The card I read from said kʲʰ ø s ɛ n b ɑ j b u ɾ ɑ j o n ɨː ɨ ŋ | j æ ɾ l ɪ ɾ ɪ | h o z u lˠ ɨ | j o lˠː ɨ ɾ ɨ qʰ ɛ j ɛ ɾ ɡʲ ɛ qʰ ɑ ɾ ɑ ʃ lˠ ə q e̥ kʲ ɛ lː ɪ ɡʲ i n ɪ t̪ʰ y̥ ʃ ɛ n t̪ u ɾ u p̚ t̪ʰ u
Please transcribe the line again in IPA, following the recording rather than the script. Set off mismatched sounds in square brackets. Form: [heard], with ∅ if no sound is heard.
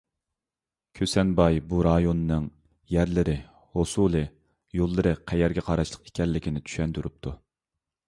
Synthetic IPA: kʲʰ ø s ɛ n b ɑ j b u ɾ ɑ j o n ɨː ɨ ŋ | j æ ɾ l ɪ ɾ ɪ | h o [s] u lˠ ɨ | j o lˠː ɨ ɾ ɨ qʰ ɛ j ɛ ɾ ɡʲ ɛ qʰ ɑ ɾ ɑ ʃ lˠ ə q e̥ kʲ ɛ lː ɪ [kʲ] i n ɪ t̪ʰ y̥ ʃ ɛ n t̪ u ɾ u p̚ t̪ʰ u

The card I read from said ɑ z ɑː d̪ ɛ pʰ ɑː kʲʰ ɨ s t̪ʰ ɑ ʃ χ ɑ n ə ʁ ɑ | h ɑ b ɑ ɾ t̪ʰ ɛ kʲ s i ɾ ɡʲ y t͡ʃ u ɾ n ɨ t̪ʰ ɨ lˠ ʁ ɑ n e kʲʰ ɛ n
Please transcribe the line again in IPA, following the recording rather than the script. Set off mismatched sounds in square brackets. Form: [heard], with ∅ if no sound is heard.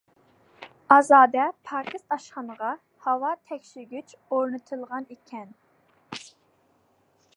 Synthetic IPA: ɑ z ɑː d̪ ɛ pʰ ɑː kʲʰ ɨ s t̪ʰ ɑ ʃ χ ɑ n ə ʁ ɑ | h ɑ [w] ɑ [∅] t̪ʰ ɛ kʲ [ʃ] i ɾ ɡʲ y t͡ʃ [o] ɾ n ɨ t̪ʰ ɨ lˠ ʁ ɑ n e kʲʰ ɛ n

